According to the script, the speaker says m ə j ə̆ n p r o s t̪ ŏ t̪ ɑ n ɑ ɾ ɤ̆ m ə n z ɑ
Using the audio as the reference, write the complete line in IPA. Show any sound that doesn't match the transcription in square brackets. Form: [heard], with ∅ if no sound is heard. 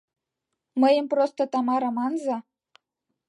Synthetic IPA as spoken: m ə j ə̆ [m] p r o s t̪ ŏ t̪ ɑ [m] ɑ ɾ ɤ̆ m [ɑ] n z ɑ